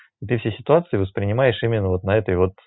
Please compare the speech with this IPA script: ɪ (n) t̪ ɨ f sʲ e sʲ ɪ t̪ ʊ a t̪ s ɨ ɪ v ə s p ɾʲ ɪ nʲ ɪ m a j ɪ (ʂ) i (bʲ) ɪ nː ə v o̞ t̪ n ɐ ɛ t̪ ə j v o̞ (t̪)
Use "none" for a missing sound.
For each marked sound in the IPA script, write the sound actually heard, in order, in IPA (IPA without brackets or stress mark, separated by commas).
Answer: none, ʂ, mʲ, t̪